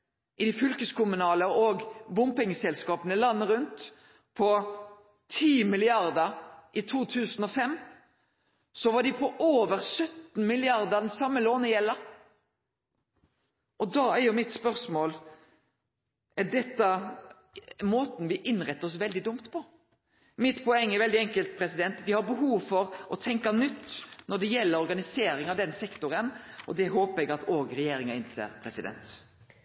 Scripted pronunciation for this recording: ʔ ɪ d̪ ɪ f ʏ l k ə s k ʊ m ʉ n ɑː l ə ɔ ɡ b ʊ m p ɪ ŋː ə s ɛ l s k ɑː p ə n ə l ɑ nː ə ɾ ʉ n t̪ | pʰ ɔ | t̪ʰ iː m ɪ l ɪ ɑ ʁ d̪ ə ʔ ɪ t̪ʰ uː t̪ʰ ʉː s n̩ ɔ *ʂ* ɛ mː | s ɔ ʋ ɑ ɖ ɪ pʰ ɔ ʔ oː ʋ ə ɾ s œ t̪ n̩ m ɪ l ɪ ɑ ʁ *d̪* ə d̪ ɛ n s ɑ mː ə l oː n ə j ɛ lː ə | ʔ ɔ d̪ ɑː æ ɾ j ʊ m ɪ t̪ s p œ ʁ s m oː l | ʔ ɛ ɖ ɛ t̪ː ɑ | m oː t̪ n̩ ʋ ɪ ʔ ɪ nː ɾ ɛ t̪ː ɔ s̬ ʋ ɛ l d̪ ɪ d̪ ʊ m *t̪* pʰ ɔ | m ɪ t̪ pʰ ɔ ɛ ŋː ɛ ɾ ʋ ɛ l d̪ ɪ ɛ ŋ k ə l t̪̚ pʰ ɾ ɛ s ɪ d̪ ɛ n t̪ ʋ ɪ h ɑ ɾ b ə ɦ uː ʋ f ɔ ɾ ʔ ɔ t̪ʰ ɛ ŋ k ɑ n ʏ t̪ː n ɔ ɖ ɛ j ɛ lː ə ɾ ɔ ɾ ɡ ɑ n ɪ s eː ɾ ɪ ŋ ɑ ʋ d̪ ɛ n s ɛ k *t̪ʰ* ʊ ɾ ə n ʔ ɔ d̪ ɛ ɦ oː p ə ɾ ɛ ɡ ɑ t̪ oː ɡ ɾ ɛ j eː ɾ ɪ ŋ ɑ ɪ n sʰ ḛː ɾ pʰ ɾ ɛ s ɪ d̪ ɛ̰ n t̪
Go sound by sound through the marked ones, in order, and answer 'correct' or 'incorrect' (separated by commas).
incorrect, correct, correct, incorrect